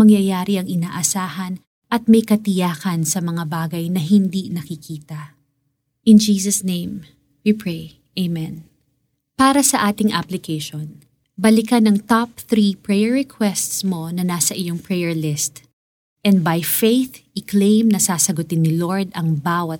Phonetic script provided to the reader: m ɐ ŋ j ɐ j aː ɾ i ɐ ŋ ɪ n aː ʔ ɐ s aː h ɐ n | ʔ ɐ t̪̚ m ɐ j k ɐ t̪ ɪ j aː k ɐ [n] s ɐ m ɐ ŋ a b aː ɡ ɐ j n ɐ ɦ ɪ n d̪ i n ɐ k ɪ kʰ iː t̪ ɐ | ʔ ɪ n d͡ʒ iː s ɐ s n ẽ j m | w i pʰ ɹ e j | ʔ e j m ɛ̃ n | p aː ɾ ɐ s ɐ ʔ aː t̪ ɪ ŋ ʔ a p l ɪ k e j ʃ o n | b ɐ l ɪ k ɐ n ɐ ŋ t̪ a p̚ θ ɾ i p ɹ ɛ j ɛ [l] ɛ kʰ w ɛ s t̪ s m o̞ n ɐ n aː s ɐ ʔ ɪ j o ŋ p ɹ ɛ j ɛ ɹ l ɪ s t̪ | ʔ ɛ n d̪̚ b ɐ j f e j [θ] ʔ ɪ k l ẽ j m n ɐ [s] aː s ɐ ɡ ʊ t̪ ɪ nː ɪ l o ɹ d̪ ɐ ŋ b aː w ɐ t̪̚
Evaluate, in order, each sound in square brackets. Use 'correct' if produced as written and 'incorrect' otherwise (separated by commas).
correct, incorrect, correct, correct